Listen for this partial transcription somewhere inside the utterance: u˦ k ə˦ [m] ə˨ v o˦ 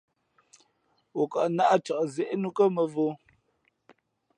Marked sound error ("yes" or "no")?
no